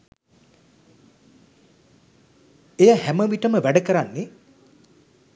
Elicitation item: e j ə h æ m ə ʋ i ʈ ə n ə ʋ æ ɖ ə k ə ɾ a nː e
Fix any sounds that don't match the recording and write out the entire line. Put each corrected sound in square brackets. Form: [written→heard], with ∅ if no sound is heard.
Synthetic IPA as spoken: e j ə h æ m ə ʋ i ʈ ə [n→m] ə ʋ æ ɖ ə k ə ɾ a nː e